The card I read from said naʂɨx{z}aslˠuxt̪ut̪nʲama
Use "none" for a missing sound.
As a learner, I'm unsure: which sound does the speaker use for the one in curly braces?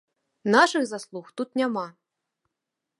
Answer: z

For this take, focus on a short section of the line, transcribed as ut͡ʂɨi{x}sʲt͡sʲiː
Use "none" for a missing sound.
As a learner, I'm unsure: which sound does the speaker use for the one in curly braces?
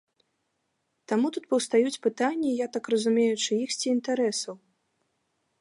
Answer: x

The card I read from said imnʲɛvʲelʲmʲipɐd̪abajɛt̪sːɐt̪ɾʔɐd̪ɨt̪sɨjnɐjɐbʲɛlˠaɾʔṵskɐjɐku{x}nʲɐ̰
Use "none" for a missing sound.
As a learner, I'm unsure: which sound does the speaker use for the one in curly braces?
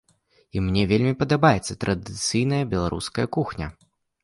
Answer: x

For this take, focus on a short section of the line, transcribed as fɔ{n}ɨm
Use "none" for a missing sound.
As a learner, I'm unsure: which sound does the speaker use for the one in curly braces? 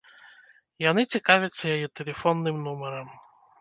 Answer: nː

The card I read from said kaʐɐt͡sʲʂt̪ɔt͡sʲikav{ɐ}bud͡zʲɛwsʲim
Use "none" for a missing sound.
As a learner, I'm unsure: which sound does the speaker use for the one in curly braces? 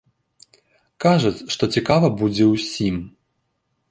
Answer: ɐ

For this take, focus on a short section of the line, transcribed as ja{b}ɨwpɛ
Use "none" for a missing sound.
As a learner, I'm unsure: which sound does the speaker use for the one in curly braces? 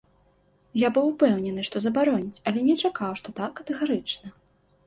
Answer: b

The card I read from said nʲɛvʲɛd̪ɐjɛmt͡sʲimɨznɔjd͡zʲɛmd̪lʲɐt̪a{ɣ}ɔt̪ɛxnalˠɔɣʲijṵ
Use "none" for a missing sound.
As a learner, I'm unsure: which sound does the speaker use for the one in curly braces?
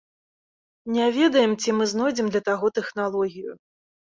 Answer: ɣ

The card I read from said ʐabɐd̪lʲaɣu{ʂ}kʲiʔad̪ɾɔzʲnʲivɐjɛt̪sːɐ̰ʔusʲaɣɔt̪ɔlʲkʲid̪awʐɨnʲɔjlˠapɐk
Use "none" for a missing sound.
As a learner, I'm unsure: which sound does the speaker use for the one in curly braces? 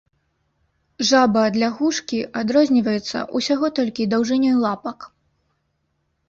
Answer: ʂ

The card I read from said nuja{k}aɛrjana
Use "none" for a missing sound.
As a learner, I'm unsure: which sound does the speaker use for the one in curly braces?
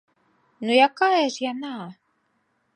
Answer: k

